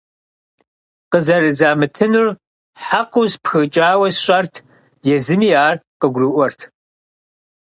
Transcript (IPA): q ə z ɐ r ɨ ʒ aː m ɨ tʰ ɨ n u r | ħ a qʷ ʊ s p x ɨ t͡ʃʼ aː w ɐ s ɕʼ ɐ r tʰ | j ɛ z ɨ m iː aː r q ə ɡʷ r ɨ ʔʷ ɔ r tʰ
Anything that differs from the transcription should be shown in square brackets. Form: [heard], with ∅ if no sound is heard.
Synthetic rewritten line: q ə z ɐ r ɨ [z] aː m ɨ tʰ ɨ n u r | ħ a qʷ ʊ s p x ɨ t͡ʃʼ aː w ɐ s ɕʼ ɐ r tʰ | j ɛ z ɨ m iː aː r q ə ɡʷ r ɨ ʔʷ ɔ r tʰ

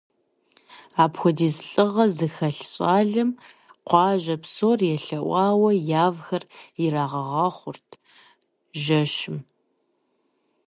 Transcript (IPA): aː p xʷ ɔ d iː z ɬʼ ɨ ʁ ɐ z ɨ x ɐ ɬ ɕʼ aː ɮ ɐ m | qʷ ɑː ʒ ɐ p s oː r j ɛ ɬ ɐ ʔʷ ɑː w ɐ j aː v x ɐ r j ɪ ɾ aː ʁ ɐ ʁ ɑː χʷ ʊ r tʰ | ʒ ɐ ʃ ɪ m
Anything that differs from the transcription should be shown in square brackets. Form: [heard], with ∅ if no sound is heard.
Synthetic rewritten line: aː p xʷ ɔ d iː z ɬʼ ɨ ʁ ɐ z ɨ x ɐ ɬ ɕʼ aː ɮ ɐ m | qʷ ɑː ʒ ɐ p s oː r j ɛ ɬ ɐ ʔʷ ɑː w ɐ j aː v x ɐ r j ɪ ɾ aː ʁ ɐ ʁ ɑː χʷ ʊ r tʰ | ʒ ɐ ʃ ɪ m

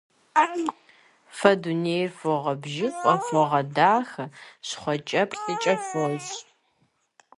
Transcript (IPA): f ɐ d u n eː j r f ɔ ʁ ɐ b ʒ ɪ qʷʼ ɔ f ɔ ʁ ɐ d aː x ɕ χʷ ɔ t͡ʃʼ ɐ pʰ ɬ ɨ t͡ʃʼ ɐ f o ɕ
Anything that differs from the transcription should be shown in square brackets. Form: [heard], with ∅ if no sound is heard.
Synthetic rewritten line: f ɐ d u n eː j r f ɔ ʁ ɐ b ʒ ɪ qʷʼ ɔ f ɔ ʁ ɐ d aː x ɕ χʷ ɔ t͡ʃʼ ɐ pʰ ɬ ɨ t͡ʃʼ ɐ f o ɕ

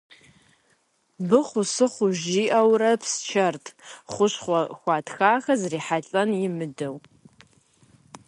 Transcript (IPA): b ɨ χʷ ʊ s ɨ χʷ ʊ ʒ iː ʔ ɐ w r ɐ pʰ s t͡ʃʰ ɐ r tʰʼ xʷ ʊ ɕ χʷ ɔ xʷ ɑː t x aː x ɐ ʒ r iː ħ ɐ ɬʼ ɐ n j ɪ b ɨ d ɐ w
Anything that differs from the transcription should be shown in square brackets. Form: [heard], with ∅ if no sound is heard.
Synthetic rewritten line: b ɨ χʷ ʊ s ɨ χʷ ʊ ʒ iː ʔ ɐ w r ɐ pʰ s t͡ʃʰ ɐ r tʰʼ [χʷ] ʊ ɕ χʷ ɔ xʷ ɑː t x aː x ɐ [z] r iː ħ [a] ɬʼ ɐ n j ɪ [m] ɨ d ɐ w

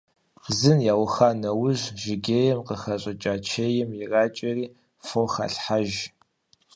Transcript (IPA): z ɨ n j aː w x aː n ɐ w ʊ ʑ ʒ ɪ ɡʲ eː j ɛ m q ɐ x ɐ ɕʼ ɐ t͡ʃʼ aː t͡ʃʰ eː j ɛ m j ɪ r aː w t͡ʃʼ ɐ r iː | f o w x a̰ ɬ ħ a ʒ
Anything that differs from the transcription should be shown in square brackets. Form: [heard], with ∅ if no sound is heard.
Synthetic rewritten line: z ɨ n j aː w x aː n ɐ w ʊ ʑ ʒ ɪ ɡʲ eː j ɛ m q [ə] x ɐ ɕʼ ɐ t͡ʃʼ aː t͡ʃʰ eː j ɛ m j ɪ r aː [∅] t͡ʃʼ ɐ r iː | f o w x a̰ ɬ ħ a ʒ

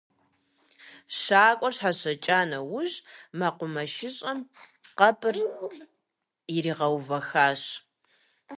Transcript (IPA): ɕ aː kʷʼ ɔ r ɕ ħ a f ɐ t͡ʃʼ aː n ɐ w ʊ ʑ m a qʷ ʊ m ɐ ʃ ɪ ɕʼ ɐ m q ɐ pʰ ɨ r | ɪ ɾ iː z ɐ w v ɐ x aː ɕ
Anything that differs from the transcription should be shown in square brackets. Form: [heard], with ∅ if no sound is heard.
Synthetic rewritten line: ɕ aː kʷʼ ɔ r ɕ ħ a [ɕ] ɐ t͡ʃʼ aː n ɐ w ʊ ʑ m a qʷ ʊ m ɐ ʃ ɪ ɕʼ ɐ m q ɐ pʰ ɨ r | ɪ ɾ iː [ʁ] ɐ w v ɐ x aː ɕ

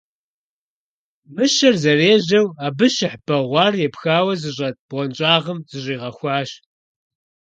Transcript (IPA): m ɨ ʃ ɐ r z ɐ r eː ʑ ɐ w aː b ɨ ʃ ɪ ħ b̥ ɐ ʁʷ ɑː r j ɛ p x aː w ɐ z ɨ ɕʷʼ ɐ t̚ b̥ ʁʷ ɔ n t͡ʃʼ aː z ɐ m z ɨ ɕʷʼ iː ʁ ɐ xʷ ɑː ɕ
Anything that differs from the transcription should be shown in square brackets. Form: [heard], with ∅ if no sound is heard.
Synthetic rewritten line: m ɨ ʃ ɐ r z ɐ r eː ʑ ɐ w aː b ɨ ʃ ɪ ħ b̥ ɐ ʁʷ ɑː r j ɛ p x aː w ɐ z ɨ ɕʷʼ ɐ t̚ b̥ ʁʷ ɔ n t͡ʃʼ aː [ʁ] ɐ m z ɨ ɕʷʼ iː ʁ ɐ xʷ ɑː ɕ

